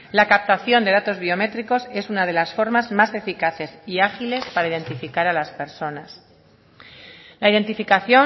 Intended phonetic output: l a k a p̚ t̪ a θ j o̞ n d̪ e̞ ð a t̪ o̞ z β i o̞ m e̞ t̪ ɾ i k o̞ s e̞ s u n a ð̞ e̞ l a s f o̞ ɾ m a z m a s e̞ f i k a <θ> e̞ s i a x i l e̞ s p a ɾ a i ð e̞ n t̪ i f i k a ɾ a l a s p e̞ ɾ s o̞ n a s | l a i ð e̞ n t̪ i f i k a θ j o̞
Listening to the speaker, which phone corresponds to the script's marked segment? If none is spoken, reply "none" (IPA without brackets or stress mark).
θ